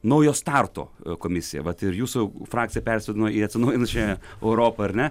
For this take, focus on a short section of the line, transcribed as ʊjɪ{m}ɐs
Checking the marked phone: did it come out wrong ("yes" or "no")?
yes